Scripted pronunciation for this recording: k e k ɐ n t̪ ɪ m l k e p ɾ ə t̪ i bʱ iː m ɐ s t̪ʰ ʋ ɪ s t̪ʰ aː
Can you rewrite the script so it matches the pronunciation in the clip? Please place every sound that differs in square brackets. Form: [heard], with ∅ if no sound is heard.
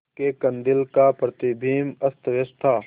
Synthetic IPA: k e k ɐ n [d̪] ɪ [∅] l k [a] p ɾ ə t̪ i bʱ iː m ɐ s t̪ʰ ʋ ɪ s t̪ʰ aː